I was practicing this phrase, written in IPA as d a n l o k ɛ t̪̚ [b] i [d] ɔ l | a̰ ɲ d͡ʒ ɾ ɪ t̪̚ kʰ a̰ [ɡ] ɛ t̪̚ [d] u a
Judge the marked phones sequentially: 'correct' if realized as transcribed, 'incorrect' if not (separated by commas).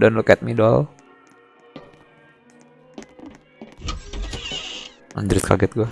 incorrect, correct, correct, incorrect